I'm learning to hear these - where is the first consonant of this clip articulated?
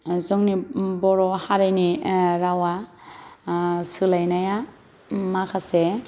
tongue tip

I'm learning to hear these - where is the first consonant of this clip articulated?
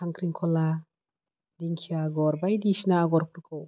velum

